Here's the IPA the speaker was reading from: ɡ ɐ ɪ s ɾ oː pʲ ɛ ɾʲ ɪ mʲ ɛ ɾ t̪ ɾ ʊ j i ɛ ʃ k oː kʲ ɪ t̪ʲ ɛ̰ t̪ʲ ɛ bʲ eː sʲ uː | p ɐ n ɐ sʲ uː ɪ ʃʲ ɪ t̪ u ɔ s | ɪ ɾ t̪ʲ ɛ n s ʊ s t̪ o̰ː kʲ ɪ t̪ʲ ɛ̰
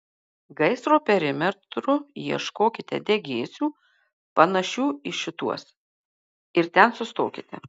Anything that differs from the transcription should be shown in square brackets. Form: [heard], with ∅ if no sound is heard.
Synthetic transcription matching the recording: ɡ ɐ ɪ s ɾ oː pʲ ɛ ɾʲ ɪ mʲ ɛ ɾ t̪ ɾ ʊ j i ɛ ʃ k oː kʲ ɪ t̪ʲ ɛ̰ [d̪ʲ] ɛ [ɡʲ] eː sʲ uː | p ɐ n ɐ [ʃʲ] uː ɪ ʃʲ ɪ t̪ u ɔ s | ɪ ɾ t̪ʲ ɛ n s ʊ s t̪ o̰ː kʲ ɪ t̪ʲ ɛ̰